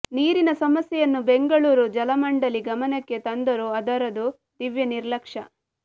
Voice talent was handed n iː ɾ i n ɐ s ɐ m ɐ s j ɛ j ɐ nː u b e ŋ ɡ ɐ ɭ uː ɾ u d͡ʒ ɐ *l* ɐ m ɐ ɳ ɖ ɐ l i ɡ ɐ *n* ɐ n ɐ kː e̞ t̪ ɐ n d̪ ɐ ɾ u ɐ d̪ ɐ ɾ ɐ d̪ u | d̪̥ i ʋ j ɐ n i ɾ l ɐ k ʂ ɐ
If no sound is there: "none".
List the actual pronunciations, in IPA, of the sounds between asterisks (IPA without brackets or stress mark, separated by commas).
l, m